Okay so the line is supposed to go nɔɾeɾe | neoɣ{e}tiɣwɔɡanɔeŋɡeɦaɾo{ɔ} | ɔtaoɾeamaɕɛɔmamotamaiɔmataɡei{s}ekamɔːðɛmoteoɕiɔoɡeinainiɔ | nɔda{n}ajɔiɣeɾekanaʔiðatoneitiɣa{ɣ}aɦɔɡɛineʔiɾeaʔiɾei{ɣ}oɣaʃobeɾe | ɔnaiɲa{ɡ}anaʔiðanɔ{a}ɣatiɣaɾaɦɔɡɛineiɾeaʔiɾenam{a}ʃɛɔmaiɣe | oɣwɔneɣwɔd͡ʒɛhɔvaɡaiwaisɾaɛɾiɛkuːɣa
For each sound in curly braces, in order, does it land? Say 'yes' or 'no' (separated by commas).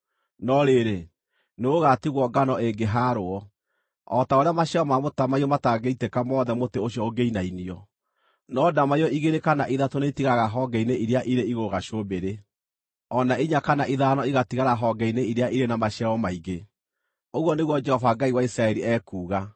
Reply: no, yes, no, no, yes, yes, no, no, yes